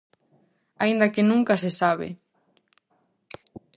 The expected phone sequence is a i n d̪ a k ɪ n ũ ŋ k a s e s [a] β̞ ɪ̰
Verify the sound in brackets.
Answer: correct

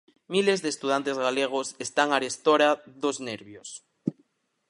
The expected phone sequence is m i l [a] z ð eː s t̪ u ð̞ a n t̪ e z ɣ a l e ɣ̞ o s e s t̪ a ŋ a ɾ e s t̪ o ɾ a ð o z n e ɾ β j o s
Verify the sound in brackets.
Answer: incorrect: e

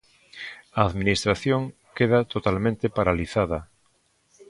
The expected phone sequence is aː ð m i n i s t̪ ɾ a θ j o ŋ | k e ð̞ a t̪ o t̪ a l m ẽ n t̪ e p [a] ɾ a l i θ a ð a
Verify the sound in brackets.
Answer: correct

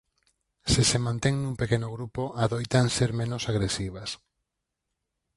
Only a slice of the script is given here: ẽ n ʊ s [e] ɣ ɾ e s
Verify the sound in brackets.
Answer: incorrect: a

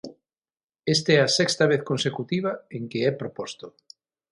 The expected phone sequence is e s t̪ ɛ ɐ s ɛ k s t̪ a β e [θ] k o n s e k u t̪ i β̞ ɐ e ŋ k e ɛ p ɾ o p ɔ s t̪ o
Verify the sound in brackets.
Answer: correct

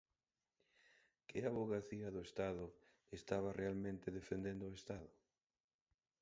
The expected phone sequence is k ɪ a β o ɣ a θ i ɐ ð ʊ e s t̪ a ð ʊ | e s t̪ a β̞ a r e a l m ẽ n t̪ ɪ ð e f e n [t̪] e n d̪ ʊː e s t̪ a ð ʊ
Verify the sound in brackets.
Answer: incorrect: d̪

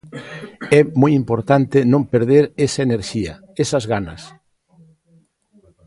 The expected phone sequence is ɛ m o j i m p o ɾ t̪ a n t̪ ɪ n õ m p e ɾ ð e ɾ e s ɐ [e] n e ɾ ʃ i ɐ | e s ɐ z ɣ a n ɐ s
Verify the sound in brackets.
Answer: correct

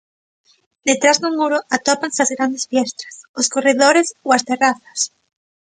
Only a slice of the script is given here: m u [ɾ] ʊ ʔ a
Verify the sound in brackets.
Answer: correct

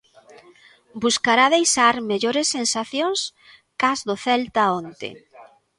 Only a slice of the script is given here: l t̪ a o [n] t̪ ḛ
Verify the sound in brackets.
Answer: correct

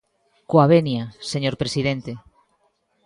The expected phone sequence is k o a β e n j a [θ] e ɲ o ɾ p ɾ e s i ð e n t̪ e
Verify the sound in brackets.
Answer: incorrect: s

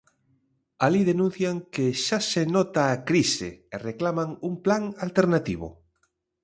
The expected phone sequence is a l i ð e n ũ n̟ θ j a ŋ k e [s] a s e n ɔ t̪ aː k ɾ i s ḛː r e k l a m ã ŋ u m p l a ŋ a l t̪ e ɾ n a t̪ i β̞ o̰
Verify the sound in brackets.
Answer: incorrect: ʃ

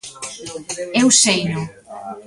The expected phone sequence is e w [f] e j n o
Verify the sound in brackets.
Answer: incorrect: s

